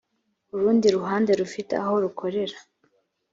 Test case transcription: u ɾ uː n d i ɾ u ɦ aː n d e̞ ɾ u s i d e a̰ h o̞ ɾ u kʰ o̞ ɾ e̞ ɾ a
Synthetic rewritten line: u ɾ uː n d i ɾ u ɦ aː n d e̞ ɾ u f i t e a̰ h o̞ ɾ u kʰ o̞ ɾ e̞ ɾ a